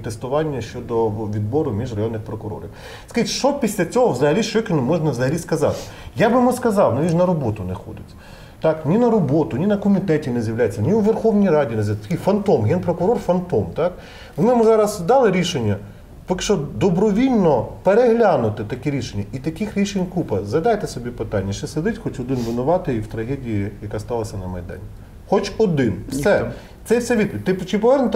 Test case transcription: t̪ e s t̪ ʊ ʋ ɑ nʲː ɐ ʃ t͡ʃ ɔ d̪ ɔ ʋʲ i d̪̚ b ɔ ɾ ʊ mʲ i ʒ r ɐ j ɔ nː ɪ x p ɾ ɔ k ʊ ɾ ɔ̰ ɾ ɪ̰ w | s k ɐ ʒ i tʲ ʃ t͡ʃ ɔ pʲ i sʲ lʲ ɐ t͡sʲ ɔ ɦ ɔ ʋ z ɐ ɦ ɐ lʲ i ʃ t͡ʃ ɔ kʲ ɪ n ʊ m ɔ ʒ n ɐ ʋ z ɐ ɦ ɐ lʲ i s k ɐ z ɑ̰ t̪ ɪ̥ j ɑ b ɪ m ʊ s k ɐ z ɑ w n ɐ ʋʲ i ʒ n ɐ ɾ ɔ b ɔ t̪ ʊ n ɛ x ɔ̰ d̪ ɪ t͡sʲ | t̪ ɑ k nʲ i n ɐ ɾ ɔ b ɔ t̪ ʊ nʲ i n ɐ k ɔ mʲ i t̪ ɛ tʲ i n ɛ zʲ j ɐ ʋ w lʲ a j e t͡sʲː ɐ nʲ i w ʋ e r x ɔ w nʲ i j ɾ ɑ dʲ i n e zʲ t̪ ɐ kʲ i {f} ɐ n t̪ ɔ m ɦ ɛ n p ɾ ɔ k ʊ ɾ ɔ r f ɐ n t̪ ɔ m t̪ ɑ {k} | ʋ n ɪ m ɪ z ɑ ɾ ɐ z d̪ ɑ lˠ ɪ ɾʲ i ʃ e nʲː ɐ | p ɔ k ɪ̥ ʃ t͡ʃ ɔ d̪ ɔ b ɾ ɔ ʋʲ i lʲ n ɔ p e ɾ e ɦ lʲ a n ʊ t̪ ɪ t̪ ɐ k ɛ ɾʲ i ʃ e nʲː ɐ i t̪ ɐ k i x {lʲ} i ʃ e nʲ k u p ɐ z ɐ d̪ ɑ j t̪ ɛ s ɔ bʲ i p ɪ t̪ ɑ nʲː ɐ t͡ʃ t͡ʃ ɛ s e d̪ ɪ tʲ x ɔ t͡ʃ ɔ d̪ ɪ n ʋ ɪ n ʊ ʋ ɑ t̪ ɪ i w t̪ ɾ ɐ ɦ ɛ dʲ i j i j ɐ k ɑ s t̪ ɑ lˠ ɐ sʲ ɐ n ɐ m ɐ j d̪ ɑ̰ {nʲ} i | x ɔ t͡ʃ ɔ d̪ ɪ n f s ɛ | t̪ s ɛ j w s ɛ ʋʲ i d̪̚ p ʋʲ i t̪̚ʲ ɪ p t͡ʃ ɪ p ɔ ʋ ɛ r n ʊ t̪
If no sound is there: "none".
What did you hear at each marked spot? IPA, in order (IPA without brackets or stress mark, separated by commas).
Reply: f, k, ɾʲ, nʲ